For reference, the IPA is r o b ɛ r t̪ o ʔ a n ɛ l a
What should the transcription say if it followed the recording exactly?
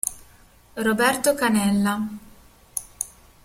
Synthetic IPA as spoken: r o b ɛ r t̪ o k a n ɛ lː a